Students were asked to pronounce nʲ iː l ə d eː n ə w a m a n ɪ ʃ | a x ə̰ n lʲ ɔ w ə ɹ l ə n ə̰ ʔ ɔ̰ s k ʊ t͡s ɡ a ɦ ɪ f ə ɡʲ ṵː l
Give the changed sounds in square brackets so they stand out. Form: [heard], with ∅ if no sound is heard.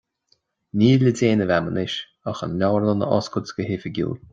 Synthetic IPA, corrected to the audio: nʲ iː l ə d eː n ə [v] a m [ə] n ɪ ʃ | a x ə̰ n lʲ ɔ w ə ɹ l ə n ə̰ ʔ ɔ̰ s k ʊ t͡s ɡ [ə] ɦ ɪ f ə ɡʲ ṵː l